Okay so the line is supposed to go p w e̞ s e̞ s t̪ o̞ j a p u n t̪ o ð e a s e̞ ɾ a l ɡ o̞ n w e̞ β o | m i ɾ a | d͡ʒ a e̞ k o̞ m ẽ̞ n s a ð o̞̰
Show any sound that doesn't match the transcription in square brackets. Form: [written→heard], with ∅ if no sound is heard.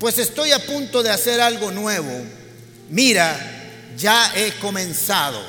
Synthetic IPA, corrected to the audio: p w e̞ s e̞ s t̪ o̞ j a p u n t̪ o ð e a s e̞ ɾ a l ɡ o̞ n w e̞ β o | m i ɾ a | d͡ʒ a e̞ k o̞ m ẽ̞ n s a ð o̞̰